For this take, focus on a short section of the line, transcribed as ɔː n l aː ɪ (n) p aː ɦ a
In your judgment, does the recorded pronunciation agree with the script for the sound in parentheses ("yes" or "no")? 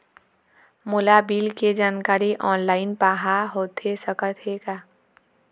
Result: yes